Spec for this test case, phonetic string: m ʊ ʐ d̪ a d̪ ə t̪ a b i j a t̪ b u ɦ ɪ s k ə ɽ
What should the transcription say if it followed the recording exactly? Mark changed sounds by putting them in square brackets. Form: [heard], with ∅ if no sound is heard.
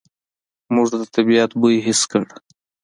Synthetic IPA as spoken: m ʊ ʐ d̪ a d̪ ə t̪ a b i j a t̪ b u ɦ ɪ s k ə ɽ